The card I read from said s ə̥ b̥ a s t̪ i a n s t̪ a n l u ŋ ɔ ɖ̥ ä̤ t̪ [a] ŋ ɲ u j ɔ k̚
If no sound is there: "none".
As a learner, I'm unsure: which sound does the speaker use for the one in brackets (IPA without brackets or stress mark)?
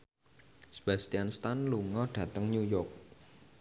ə